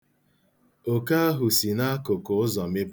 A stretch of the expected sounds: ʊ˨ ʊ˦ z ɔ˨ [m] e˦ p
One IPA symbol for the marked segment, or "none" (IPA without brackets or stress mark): m